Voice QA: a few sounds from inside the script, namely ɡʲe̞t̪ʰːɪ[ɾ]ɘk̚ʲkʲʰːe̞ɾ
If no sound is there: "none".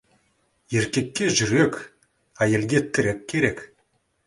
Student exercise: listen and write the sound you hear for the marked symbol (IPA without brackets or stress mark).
ɾ